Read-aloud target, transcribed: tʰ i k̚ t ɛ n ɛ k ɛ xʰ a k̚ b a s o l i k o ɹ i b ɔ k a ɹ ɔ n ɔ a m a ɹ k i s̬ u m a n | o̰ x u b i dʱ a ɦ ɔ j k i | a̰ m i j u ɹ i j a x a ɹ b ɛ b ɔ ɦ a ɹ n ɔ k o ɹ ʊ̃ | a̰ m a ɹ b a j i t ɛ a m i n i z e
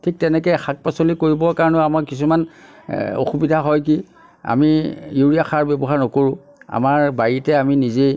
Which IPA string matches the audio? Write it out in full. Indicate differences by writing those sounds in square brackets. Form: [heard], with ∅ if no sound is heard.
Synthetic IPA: tʰ i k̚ t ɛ n ɛ k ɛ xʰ a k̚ [p] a s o l i k o ɹ i b ɔ k a ɹ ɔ n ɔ a m a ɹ k i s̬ u m a n | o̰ x u b i dʱ a ɦ ɔ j k i | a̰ m i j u ɹ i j a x a ɹ b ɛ b ɔ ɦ a ɹ n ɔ k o ɹ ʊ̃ | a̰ m a ɹ b a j i t ɛ a m i n i z e